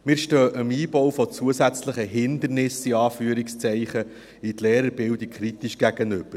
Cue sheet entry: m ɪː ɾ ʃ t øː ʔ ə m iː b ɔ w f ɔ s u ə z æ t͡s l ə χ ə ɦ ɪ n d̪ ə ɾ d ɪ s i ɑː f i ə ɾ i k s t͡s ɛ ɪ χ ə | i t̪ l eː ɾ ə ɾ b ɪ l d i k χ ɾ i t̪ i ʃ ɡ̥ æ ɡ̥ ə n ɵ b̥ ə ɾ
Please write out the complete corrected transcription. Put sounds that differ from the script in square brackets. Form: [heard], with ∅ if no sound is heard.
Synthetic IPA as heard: m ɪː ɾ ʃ t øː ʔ ə m iː b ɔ w f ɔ [t͡s] u ə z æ t͡s l ə χ ə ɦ ɪ n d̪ ə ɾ [n] ɪ s i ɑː f [y] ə ɾ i k s t͡s ɛ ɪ χ ə | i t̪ l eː ɾ ə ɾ b ɪ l d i k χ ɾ i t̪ i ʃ ɡ̥ æ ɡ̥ ə n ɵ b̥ ə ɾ